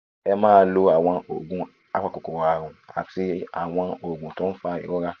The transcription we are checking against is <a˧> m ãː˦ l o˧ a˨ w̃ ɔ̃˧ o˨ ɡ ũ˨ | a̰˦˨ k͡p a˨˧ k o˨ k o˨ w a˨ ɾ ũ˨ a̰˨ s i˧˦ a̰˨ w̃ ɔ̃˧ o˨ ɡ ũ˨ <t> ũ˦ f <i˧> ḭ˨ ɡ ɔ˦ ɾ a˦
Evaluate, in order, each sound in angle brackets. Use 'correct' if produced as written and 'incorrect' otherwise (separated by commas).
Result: incorrect, correct, incorrect